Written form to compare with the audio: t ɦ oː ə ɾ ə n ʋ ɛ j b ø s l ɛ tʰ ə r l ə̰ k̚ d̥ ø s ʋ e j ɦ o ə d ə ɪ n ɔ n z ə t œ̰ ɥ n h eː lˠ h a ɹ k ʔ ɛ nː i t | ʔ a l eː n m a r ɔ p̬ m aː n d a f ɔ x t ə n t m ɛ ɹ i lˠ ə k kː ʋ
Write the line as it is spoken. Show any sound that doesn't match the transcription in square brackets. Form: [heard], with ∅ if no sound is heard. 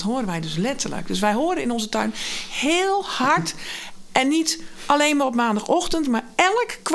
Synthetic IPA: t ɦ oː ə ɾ ə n ʋ ɛ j [d] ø s l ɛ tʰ ə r l ə̰ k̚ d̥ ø s ʋ [ɛ] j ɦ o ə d ə ɪ n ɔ n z ə t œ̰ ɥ n h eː lˠ h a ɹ [t] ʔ ɛ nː i t | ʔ a l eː n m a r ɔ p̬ m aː n d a [x] ɔ x t ə n t m [a] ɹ [ɛ] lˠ ə k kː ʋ